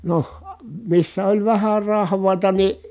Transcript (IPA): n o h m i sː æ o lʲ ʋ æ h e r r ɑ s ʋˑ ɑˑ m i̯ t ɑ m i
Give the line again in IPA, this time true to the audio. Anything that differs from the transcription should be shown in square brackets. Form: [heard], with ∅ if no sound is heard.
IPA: n o h m i sː æ o lʲ ʋ æ h [æ] r r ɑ [h] ʋˑ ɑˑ [∅] i̯ t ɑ [n] i